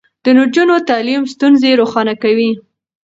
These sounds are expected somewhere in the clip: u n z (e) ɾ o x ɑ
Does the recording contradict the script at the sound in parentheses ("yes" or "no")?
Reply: no